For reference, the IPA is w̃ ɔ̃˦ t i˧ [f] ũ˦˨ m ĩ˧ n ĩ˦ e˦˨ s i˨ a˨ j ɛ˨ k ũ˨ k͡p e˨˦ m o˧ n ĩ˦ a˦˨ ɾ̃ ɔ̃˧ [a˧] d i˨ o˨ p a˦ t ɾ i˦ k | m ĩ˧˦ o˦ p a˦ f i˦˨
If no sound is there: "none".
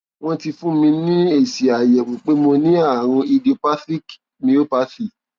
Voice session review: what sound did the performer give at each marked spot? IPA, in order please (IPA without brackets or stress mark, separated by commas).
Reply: f, i˧